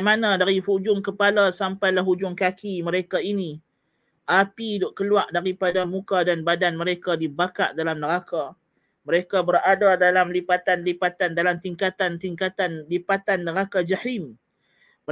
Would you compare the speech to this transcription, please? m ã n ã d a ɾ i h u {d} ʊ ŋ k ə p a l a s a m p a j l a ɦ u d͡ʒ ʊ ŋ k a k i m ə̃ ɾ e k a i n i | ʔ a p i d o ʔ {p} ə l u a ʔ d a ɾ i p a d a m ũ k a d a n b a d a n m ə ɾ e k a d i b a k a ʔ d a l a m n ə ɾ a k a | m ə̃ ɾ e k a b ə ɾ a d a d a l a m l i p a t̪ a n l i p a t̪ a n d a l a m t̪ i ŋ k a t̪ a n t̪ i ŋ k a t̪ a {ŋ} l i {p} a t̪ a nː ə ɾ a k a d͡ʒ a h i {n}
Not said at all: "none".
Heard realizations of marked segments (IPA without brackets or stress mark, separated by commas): d͡ʒ, k, n, p, m